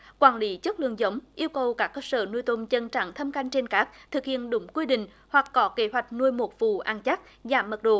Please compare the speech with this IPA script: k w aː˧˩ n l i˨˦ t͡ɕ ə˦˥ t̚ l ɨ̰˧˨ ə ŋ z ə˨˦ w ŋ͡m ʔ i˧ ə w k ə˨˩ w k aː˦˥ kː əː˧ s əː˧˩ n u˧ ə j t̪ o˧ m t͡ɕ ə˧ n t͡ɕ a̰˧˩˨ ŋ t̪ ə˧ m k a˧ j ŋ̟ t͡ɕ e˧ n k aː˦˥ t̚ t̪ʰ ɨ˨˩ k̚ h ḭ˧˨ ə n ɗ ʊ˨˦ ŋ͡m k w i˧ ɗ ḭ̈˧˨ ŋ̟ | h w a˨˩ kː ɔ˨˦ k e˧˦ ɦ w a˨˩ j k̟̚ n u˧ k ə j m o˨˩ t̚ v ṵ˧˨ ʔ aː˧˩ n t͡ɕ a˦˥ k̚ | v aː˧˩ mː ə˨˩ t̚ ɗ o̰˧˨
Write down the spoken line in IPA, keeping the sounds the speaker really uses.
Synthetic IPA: k w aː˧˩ n l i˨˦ t͡ɕ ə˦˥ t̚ l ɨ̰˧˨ ə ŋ z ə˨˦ w ŋ͡m ʔ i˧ ə w k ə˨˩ w k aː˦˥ kː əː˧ s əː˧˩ n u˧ ə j t̪ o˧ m t͡ɕ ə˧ n t͡ɕ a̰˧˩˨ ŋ t̪ʰ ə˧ m k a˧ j ŋ̟ t͡ɕ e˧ n k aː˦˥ k̚ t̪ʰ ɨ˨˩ k̚ h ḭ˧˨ ə n ɗ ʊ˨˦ ŋ͡m k w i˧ ɗ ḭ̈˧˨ ŋ̟ | h w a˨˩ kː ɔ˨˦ k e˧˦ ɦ w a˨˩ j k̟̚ n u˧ ə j m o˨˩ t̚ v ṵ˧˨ ʔ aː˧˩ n t͡ɕ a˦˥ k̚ | z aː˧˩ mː ə˨˩ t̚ ɗ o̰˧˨

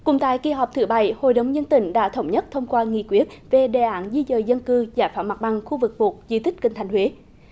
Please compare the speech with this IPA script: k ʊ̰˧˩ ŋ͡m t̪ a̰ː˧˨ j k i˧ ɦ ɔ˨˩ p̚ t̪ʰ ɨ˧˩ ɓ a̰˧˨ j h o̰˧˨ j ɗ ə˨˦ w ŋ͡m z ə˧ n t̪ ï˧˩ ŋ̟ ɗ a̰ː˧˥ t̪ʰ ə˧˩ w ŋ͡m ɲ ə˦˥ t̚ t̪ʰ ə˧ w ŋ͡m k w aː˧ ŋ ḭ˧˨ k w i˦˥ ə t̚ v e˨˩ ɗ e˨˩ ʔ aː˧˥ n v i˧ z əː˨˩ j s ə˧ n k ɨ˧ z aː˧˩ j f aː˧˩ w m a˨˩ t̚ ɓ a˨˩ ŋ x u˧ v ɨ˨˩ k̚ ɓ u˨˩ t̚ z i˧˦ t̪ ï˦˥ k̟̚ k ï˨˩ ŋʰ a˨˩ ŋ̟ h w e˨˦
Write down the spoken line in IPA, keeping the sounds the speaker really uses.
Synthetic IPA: k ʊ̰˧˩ ŋ͡m t̪ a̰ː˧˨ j k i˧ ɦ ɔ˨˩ p̚ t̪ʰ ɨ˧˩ ɓ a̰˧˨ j h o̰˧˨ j ɗ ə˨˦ w ŋ͡m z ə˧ n t̪ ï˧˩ ŋ̟ ɗ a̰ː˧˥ t̪ʰ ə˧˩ w ŋ͡m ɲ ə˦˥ t̚ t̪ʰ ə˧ w ŋ͡m k w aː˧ ŋ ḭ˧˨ k w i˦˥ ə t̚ v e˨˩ ɗ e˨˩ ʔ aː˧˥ n z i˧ z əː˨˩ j z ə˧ n k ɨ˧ z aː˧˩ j f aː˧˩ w m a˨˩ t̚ ɓ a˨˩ ŋ x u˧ v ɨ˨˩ k̚ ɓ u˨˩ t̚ z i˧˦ t̪ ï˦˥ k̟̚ k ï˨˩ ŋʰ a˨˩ ŋ̟ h w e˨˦

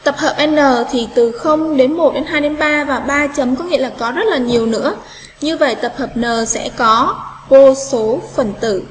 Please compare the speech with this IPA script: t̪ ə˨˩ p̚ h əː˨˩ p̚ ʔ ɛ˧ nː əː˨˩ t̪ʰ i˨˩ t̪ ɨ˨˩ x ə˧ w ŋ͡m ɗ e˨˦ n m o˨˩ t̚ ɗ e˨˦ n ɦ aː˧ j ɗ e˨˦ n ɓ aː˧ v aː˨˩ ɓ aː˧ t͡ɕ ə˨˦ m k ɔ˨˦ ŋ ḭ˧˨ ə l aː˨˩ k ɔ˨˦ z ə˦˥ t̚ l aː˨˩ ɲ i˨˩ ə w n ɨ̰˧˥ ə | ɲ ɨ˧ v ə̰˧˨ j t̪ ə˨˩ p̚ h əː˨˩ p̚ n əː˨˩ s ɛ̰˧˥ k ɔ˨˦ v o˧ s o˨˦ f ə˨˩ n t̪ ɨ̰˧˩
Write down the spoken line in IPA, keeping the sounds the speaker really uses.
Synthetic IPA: t̪ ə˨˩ p̚ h əː˨˩ p̚ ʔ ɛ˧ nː əː˨˩ t̪ʰ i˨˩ t̪ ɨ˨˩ x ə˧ w ŋ͡m ɗ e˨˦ n m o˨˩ t̚ ɗ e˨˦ n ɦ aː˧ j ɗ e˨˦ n ɓ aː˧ v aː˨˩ ɓ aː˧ t͡ɕ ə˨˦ m k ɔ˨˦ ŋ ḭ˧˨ ə l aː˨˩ k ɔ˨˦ z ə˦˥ t̚ l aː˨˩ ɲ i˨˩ ə w n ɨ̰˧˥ ə | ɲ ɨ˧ v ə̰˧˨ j t̪ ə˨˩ p̚ h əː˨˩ p̚ n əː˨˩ s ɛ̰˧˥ k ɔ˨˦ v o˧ s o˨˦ f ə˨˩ n t̪ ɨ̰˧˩

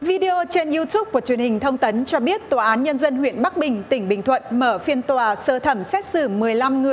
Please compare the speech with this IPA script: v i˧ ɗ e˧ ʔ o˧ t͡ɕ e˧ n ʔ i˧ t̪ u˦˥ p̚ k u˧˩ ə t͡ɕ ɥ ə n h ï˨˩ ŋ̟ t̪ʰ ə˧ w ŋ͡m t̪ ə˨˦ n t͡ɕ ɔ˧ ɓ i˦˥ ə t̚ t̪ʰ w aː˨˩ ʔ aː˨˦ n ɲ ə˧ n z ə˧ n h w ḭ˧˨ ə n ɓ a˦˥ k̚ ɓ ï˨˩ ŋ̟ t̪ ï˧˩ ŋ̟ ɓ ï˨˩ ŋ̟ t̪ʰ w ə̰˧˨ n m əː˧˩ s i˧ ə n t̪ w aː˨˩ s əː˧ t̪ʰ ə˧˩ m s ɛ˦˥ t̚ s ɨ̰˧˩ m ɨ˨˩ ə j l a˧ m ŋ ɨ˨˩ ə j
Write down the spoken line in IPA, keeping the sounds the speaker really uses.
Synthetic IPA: v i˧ ɗ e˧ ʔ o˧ t͡ɕ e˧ n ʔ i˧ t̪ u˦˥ p̚ k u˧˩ ə t͡ɕ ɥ ə n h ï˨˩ ŋ̟ t̪ʰ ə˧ w ŋ͡m t̪ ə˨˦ n t͡ɕ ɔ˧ ɓ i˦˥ ə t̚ t̪ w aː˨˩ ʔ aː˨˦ n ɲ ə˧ n z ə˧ n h w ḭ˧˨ ə n ɓ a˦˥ k̚ ɓ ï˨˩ ŋ̟ t̪ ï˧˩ ŋ̟ ɓ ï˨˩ ŋ̟ t̪ʰ w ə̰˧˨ n m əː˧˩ f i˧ ə n t̪ w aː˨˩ s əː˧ t̪ʰ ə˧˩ m s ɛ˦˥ t̚ s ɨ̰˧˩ m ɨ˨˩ ə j l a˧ m ŋ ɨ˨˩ ə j

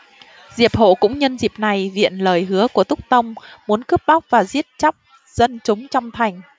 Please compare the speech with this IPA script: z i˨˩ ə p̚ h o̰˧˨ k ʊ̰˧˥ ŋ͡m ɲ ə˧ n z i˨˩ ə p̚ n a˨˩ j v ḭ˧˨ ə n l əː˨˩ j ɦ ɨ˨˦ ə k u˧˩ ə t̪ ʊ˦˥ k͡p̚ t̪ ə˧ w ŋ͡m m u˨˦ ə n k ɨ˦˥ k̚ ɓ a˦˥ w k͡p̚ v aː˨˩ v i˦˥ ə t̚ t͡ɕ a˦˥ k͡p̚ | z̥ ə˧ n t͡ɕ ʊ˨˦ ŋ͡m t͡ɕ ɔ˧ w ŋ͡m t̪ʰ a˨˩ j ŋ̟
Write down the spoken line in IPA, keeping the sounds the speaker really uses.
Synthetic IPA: z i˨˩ ə p̚ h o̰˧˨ k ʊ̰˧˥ ŋ͡m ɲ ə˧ n z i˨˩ ə p̚ n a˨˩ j v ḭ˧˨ ə n l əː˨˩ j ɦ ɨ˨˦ ə k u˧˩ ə t̪ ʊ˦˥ k͡p̚ t̪ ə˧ w ŋ͡m m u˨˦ ə n k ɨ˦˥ p̚ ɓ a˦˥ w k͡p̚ v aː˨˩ z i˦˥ ə t̚ t͡ɕ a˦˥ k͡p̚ | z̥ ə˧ n t͡ɕ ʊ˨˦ ŋ͡m t͡ɕ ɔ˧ w ŋ͡m t̪ʰ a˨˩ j ŋ̟

